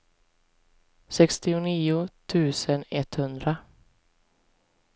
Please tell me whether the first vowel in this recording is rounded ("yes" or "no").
no